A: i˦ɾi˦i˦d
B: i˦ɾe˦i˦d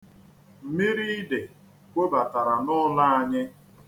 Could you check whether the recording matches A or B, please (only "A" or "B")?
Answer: A